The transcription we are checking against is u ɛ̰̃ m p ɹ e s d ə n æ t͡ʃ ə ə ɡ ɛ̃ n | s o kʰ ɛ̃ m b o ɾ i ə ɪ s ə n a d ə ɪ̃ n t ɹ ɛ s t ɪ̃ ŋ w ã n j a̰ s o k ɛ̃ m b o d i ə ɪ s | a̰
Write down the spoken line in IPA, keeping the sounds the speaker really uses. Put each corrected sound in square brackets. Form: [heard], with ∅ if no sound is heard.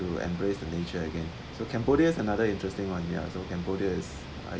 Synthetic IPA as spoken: u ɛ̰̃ m [b] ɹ e s d ə n [e] t͡ʃ ə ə ɡ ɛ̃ n | s o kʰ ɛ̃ m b o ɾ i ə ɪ s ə n a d ə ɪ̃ n t ɹ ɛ s t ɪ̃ ŋ w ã n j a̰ s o k ɛ̃ m b o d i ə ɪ s | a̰